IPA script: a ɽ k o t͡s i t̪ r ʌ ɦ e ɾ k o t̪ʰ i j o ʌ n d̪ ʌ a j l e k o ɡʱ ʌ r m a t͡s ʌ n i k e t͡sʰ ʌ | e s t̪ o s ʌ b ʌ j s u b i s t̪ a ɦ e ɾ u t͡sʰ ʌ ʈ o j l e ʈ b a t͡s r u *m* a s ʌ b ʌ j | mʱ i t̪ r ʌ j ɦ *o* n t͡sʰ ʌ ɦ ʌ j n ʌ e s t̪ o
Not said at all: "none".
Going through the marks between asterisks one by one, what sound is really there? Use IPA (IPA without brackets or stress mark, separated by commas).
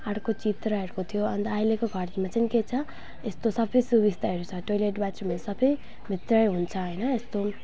m, u